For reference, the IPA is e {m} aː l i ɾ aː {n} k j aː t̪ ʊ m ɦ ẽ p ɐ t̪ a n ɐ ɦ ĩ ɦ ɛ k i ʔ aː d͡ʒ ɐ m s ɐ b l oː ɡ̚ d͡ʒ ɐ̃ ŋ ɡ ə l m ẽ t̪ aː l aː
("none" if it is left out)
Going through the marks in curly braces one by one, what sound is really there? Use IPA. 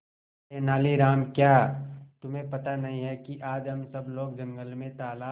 n, m

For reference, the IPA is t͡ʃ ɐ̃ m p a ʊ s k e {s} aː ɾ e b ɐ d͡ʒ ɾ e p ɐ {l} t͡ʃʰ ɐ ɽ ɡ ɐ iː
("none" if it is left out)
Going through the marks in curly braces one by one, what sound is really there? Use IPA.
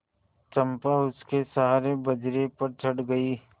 s, ɾ

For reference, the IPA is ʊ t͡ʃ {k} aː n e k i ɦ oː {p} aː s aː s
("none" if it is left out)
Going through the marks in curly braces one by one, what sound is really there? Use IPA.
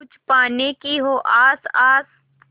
p, ʔ

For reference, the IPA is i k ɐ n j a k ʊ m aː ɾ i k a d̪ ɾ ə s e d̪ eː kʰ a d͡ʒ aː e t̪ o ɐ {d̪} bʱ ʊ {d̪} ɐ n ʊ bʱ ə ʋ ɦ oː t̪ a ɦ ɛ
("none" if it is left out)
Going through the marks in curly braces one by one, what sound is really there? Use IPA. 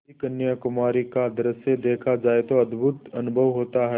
d̪, t̪

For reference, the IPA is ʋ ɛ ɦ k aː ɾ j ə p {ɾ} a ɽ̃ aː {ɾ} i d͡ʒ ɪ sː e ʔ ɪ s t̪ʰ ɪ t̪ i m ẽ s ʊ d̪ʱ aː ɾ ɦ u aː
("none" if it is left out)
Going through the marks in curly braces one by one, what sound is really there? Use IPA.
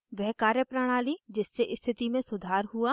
ɾ, l

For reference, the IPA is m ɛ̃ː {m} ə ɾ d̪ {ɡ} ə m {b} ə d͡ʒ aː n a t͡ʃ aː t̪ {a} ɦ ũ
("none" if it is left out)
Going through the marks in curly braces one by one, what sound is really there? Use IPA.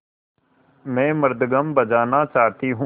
m, ɡ, b, i

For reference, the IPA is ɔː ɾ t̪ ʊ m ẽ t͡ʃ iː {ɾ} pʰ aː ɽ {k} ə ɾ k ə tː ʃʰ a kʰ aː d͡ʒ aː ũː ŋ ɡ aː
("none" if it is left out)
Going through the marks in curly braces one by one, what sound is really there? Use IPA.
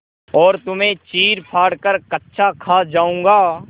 ɾ, k

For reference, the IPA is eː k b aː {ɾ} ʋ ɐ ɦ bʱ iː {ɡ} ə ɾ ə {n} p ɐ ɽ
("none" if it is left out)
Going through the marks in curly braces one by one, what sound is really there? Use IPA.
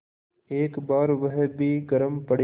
ɾ, ɡ, m

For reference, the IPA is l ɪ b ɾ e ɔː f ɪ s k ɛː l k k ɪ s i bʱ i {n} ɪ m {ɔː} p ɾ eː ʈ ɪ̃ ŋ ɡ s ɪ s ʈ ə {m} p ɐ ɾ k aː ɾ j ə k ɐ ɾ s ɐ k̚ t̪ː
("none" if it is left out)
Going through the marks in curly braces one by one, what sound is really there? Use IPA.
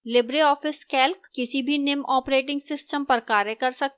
n, ɔː, m

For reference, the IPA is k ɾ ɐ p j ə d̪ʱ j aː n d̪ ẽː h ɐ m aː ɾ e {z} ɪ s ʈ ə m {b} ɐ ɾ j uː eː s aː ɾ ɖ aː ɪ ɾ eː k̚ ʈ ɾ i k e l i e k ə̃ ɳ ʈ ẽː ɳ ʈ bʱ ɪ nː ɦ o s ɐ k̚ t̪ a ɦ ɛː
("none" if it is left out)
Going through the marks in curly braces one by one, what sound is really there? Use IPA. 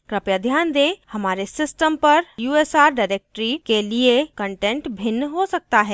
s, p

